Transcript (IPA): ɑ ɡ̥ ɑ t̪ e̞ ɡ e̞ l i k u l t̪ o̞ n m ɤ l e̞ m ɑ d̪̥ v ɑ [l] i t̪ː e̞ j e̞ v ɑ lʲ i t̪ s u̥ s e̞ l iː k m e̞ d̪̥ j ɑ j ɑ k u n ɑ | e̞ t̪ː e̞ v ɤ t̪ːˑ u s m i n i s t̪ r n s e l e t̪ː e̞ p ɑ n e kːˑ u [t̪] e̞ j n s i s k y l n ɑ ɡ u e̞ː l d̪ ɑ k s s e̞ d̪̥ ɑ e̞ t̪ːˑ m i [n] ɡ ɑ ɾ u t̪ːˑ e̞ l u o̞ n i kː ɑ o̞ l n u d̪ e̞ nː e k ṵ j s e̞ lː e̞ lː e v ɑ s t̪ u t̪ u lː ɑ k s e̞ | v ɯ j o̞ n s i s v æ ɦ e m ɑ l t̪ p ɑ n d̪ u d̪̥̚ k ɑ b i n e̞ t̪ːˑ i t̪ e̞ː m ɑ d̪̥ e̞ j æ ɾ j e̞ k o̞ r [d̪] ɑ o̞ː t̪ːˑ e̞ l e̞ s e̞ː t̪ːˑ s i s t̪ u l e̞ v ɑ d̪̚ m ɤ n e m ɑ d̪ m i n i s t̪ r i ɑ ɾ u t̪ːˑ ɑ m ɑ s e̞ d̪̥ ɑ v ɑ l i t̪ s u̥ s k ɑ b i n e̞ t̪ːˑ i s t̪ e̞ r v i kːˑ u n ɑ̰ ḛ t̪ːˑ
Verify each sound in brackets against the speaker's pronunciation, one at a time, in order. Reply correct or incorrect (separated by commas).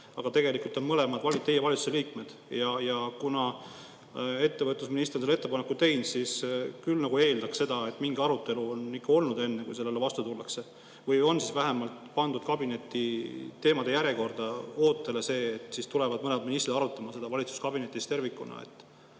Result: correct, correct, incorrect, correct